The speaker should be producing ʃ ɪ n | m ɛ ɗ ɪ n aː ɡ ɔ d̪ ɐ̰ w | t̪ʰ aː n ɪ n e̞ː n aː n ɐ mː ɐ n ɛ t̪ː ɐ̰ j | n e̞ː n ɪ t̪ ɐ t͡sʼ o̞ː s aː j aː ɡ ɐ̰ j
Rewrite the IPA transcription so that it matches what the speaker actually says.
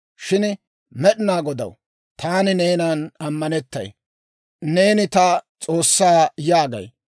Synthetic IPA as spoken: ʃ ɪ n | m ɛ ɗ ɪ n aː ɡ ɔ d̪ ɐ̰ w | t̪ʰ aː n ɪ n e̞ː n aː n ɐ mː ɐ n ɛ t̪ː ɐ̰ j | n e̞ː n ɪ t̪ ɐ t͡sʼ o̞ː sː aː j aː ɡ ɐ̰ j

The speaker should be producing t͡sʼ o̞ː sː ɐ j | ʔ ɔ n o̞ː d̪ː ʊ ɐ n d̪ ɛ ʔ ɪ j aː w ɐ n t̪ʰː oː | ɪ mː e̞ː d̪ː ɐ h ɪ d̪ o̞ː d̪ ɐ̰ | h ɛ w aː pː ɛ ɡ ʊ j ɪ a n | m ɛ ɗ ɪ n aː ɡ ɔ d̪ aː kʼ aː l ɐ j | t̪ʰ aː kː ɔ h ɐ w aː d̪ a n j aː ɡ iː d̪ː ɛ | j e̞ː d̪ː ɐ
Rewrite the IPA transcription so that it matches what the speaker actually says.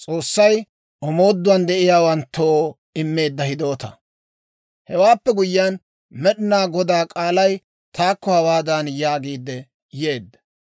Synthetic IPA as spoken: t͡sʼ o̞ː sː ɐ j | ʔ ɔ m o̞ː d̪ː ʊ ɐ n d̪ ɛ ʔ ɪ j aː w ɐ n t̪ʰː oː | ɪ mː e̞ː d̪ː ɐ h ɪ d̪ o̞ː t̪ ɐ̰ | h ɛ w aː pː ɛ ɡ ʊ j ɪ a n | m ɛ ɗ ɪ n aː ɡ ɔ d̪ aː kʼ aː l ɐ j | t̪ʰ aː kː ɔ h ɐ w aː d̪ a n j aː ɡ iː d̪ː ɛ | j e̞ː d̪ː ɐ

